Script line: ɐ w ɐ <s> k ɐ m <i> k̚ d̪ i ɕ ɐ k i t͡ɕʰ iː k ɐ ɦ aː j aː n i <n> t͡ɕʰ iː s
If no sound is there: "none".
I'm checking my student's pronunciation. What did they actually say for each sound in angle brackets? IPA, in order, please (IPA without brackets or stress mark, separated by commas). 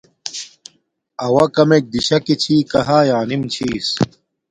none, e, m